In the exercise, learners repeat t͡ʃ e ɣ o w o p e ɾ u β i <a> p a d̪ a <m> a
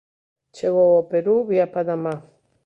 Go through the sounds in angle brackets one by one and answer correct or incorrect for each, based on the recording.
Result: correct, correct

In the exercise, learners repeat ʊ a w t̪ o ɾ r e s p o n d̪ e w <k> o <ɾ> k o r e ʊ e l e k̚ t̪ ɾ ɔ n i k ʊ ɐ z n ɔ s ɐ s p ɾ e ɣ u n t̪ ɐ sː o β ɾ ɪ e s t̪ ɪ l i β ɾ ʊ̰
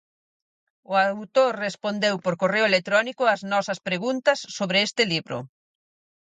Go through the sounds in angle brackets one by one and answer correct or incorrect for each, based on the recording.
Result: incorrect, correct

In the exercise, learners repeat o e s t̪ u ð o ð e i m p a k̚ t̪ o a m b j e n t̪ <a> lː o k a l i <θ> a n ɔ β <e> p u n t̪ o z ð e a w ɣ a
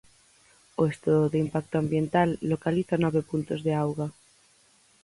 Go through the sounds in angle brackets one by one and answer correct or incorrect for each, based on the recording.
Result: correct, correct, correct

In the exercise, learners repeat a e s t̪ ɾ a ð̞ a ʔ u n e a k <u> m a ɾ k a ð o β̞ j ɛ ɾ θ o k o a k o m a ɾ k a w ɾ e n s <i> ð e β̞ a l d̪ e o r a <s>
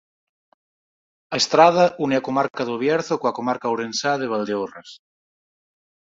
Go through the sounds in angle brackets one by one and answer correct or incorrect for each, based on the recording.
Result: incorrect, incorrect, correct

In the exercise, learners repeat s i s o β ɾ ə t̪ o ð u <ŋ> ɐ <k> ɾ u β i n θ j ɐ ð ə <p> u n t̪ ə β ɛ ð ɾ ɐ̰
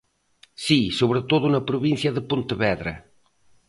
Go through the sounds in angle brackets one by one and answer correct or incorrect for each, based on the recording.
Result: incorrect, incorrect, correct

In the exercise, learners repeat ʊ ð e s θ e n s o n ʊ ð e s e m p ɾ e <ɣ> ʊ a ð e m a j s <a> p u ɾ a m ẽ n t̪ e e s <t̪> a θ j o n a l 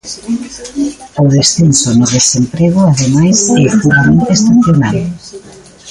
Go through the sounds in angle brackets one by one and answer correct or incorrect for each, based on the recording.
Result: correct, incorrect, correct

